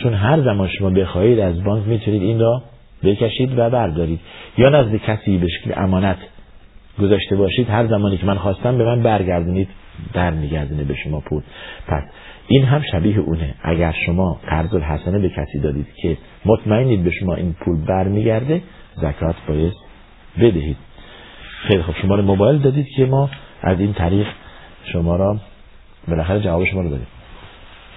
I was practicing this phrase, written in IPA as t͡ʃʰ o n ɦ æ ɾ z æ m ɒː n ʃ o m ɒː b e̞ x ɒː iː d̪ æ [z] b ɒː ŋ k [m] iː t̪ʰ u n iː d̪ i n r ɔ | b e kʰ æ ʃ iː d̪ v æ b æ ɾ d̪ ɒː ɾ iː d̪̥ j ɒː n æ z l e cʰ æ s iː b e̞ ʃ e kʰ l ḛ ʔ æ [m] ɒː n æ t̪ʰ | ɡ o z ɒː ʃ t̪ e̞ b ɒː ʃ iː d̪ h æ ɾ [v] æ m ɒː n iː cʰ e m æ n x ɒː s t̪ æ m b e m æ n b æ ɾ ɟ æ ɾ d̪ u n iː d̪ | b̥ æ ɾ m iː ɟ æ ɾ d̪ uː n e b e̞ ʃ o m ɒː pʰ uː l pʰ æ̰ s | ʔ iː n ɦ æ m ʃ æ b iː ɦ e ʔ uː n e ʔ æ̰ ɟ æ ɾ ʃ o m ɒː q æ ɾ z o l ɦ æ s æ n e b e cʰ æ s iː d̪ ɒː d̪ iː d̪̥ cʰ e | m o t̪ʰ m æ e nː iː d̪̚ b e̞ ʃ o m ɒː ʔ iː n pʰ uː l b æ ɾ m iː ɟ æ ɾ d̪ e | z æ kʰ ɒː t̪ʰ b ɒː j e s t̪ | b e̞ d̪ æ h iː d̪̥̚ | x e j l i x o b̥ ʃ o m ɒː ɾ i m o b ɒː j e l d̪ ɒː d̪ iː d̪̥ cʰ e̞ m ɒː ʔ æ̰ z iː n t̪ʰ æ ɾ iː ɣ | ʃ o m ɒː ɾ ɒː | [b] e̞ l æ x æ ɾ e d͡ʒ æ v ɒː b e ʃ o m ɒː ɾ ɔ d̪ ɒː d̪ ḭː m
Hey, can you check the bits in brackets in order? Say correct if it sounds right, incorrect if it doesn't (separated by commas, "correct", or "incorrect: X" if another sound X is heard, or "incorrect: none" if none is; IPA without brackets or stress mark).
correct, correct, correct, incorrect: z, correct